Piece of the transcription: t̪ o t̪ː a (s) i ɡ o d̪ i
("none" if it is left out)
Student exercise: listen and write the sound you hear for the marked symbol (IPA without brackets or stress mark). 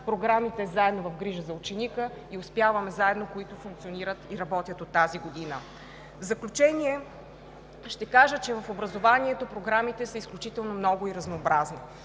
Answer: z